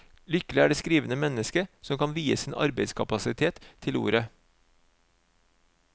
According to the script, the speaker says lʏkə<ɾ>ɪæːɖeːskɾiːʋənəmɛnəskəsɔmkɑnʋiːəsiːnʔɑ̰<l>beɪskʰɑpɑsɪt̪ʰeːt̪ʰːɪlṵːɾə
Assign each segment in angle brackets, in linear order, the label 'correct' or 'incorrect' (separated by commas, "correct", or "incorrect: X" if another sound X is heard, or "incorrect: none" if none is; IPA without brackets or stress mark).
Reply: incorrect: l, incorrect: ɾ